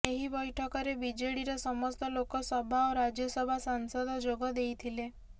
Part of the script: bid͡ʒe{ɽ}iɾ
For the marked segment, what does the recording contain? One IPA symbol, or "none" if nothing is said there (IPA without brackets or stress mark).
ɽ